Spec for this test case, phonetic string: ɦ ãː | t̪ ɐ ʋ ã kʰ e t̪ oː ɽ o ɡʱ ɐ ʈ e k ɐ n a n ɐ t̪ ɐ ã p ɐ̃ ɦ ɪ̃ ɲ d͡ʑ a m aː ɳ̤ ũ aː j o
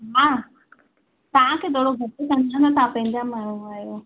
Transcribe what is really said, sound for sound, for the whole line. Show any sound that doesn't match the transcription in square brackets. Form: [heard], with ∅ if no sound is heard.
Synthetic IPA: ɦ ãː | t̪ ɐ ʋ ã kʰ e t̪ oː ɽ o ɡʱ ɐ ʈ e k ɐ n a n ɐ t̪ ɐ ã p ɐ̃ ɦ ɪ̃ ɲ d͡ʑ a m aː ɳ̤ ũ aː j o